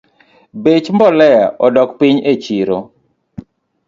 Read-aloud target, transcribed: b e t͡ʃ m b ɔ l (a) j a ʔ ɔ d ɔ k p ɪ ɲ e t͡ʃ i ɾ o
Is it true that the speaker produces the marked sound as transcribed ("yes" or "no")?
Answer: no